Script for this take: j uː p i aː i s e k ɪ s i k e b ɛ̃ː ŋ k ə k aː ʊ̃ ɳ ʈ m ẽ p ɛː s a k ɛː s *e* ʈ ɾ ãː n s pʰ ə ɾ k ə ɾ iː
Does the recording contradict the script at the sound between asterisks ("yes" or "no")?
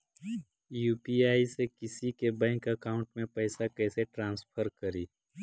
no